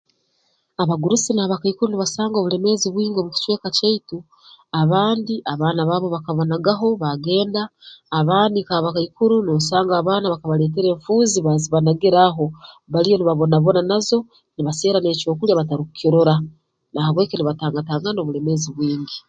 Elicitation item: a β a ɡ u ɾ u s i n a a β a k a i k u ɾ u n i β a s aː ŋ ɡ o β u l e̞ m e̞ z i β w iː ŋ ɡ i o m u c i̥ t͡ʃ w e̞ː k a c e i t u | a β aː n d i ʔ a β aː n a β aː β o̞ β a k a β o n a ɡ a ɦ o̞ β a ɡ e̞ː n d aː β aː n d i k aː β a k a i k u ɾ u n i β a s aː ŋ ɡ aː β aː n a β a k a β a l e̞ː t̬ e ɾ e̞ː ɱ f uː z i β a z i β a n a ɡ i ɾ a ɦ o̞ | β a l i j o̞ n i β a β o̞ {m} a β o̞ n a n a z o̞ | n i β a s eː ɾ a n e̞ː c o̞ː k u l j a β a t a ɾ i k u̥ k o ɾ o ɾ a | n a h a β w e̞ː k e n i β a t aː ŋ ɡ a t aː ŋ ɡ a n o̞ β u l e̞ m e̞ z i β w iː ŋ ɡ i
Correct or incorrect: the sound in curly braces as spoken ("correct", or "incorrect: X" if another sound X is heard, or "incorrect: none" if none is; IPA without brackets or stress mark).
incorrect: n